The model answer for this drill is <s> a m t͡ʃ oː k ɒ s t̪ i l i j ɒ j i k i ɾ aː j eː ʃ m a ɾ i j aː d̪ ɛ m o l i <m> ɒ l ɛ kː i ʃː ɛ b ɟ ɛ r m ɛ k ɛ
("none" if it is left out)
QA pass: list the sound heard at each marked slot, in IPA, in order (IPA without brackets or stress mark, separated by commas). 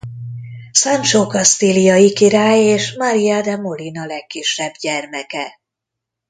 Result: s, n